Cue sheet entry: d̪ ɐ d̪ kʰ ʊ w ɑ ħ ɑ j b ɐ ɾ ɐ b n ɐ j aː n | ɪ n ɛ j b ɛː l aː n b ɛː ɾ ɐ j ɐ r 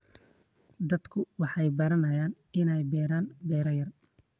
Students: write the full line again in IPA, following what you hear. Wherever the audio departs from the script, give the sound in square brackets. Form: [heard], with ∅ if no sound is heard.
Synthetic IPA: d̪ ɐ d̪ kʰ ʊ w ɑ ħ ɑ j b ɐ ɾ ɐ [∅] n ɐ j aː n | ɪ n ɛ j b ɛː [ɾ] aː n b ɛː ɾ ɐ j ɐ r